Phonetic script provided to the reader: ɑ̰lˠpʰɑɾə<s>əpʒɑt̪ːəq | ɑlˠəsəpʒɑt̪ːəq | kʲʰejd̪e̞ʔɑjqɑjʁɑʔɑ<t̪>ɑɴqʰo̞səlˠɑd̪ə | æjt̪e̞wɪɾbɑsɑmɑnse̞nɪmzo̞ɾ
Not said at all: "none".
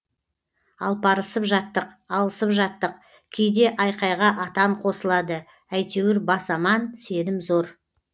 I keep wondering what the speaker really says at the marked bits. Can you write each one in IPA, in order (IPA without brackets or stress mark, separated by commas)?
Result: s, t̪